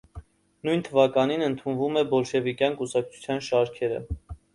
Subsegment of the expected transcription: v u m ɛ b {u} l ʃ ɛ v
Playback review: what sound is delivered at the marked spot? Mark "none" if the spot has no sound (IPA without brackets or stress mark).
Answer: ɔ